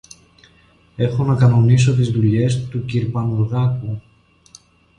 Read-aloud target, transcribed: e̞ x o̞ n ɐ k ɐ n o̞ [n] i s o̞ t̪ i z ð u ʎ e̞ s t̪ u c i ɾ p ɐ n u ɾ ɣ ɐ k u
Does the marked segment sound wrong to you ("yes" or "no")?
no